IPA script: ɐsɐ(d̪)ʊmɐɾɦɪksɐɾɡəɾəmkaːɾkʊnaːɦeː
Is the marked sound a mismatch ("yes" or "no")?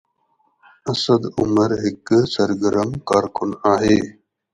no